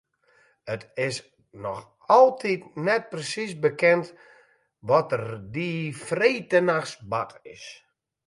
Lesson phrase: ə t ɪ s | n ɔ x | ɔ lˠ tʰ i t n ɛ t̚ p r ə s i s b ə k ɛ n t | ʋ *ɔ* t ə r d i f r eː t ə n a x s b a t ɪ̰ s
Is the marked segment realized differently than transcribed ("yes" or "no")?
no